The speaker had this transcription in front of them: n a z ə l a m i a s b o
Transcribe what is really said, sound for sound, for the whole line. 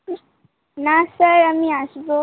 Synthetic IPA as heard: n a s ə ɾ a m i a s b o